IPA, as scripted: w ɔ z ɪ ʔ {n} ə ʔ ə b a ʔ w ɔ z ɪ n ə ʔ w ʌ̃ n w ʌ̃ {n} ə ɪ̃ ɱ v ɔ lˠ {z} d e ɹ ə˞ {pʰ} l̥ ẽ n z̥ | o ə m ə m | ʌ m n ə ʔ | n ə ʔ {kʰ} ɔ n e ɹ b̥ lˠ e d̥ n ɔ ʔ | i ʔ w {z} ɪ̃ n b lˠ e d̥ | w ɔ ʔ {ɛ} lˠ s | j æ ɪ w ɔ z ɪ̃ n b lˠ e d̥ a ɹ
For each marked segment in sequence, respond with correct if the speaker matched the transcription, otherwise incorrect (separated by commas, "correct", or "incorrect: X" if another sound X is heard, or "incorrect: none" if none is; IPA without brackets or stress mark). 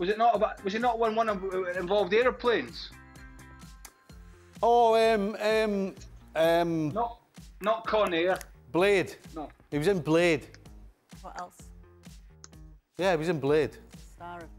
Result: correct, correct, incorrect: v, correct, correct, correct, correct